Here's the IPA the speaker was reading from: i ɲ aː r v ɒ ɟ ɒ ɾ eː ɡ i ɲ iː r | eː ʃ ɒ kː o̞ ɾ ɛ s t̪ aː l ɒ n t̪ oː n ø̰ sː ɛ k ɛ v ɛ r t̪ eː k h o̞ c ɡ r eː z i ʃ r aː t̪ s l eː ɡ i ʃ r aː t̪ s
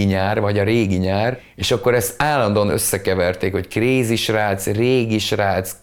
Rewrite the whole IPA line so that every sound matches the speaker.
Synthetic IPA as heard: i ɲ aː r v ɒ ɟ ɒ ɾ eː ɡ i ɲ aː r | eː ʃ ɒ kː o̞ ɾ ɛ s t̪ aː l ɒ n d̪ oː n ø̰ sː ɛ k ɛ v ɛ r t̪ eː k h o̞ c k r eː z i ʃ r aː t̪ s r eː ɡ i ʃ r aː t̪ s